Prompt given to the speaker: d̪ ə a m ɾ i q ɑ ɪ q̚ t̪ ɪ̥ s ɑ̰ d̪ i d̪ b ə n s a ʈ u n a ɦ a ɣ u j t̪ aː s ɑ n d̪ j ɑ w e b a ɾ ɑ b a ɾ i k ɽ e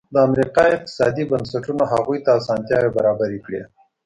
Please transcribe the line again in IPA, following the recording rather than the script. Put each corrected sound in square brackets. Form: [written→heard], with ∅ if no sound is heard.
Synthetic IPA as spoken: d̪ ə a m ɾ i q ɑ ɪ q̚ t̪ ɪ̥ s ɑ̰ d̪ i [d̪→∅] b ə n s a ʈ u n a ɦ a ɣ u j t̪ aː s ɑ n [d̪→t̪] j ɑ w e b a ɾ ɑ b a ɾ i k ɽ e